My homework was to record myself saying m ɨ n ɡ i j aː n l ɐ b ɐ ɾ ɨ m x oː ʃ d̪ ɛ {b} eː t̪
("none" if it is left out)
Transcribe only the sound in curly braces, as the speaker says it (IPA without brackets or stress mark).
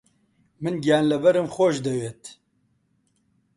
w